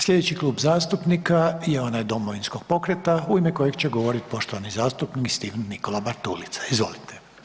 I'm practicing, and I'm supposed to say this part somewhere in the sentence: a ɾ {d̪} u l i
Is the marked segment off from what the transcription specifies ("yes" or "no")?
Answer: yes